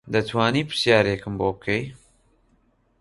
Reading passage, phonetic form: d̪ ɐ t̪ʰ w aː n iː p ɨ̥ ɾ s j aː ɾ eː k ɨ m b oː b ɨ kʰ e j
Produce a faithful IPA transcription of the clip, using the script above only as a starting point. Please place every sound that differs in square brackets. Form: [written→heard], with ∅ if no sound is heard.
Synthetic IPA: d̪ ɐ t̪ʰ w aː n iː p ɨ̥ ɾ s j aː ɾ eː k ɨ m b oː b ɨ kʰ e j